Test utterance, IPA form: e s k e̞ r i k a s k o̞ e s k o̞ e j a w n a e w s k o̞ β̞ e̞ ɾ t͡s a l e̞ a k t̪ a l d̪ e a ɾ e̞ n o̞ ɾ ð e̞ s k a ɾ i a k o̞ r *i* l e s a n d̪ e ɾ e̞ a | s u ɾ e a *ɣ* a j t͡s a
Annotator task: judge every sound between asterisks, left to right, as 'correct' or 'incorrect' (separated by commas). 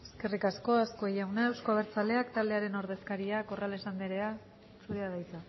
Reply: incorrect, incorrect